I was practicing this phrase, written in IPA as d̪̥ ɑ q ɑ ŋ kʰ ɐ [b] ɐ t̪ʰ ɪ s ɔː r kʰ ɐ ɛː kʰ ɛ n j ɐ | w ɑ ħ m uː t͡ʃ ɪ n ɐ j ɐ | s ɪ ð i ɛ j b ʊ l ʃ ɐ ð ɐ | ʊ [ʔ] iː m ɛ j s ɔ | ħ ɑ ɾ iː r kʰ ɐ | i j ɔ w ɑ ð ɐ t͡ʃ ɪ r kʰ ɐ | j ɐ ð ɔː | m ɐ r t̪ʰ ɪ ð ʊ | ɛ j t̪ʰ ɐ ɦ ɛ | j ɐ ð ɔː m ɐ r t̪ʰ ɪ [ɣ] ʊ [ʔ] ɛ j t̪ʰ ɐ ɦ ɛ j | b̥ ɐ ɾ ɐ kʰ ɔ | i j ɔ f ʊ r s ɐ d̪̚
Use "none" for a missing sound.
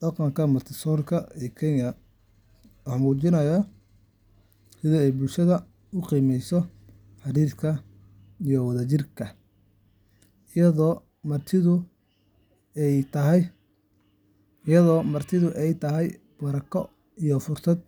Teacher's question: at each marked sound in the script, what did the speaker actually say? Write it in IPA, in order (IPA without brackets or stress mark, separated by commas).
m, q, ð, ʔ